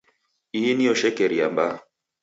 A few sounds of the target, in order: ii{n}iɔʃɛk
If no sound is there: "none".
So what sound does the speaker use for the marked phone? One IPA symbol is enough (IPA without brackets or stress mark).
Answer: n